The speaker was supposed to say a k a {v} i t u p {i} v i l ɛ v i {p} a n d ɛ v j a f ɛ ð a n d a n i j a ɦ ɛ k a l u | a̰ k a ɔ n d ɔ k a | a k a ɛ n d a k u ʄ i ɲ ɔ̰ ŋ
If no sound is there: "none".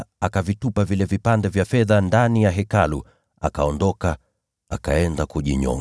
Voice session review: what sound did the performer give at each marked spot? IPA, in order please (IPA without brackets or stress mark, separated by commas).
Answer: v, a, p